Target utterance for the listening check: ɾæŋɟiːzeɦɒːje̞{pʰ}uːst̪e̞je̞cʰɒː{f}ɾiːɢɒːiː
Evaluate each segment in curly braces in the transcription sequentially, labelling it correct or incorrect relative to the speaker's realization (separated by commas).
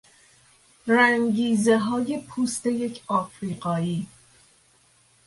correct, correct